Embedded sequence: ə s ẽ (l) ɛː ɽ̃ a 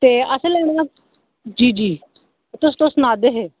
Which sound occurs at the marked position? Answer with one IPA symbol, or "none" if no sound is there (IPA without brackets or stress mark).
l